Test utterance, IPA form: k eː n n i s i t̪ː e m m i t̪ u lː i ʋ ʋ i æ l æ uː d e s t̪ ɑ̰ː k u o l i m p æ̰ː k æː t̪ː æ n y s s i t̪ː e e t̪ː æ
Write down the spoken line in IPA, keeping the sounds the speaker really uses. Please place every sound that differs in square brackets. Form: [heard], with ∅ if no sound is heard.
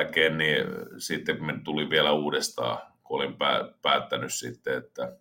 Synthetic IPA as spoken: k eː n n i s i t̪ː e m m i t̪ u [l] i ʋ ʋ i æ l æ uː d e s t̪ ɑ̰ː k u o l i m p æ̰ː [p] æː t̪ː æ n y s s i t̪ː e e t̪ː æ